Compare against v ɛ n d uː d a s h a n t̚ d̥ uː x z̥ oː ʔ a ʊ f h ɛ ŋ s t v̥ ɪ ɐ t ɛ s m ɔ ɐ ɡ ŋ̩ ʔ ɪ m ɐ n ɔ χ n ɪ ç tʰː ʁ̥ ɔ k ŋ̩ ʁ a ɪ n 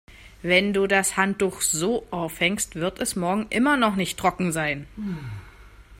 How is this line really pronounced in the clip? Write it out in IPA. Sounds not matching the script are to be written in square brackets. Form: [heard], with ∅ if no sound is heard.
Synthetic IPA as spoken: v ɛ n d uː d a s h a n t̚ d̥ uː x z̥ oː ʔ a ʊ f h ɛ ŋ s t v̥ ɪ ɐ t ɛ s m ɔ ɐ ɡ ŋ̩ ʔ ɪ m ɐ n ɔ χ n ɪ ç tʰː ʁ̥ ɔ k ŋ̩ [z] a ɪ n